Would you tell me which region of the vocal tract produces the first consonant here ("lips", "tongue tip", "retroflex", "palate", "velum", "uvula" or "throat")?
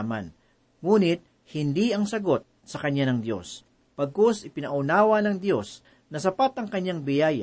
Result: lips